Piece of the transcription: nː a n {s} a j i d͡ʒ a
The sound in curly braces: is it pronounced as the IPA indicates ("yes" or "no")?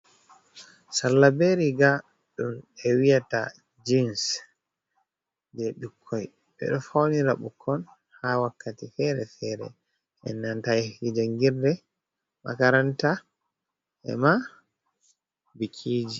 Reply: no